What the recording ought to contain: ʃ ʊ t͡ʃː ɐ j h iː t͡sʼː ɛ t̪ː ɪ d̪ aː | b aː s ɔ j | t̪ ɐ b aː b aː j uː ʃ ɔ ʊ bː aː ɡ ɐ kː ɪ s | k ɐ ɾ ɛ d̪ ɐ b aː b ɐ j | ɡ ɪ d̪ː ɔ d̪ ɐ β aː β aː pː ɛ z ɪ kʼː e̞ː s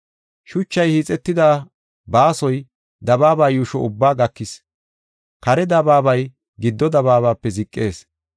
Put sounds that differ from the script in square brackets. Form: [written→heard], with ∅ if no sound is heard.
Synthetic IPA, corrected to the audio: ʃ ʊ t͡ʃː ɐ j h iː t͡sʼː ɛ t̪ː ɪ d̪ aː | b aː s ɔ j | [t̪→d̪] ɐ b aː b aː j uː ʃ ɔ ʊ bː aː ɡ ɐ kː ɪ s | k ɐ ɾ ɛ d̪ ɐ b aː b ɐ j | ɡ ɪ d̪ː ɔ d̪ ɐ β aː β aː pː ɛ z ɪ kʼː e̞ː s